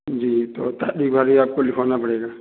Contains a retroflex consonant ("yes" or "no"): yes